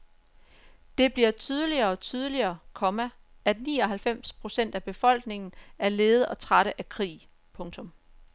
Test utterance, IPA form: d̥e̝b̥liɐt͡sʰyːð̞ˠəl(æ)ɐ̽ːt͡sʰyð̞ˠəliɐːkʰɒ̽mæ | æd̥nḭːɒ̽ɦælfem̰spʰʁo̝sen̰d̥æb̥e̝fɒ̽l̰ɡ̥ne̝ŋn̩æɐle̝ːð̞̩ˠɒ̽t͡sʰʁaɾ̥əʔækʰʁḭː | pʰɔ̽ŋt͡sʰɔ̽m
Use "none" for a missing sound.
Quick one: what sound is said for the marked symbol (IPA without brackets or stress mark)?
i